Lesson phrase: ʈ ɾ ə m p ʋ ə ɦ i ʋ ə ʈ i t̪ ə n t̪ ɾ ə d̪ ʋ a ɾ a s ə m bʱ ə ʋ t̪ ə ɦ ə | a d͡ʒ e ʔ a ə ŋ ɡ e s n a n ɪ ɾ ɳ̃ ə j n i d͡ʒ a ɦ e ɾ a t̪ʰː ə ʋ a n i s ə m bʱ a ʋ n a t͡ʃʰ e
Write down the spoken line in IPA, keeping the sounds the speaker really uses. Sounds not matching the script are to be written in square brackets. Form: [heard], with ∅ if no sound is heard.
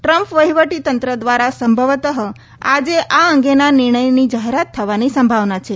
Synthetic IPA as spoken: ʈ ɾ ə m p ʋ ə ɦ i ʋ ə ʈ i t̪ ə n t̪ ɾ ə d̪ ʋ a ɾ a s ə m bʱ ə ʋ t̪ ə ɦ ə | a d͡ʒ e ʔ a ə ŋ ɡ e [∅] n a n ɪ ɾ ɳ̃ ə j n i d͡ʒ a ɦ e ɾ a t̪ʰː ə ʋ a n i s ə m bʱ a ʋ n a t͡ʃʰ e